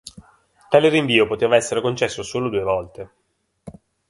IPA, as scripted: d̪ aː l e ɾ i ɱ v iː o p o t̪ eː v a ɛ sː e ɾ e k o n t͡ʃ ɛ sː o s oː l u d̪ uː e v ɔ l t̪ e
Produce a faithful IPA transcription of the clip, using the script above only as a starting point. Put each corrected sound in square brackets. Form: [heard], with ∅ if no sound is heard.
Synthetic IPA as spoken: [t̪] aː l e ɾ i ɱ v iː o p o t̪ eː v a ɛ sː e ɾ e k o n t͡ʃ ɛ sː o s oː l [o] d̪ uː e v ɔ l t̪ e